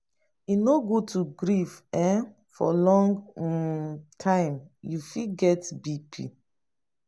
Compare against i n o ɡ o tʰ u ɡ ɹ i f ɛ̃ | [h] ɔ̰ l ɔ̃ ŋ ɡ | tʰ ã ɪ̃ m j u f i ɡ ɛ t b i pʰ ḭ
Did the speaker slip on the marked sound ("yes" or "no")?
yes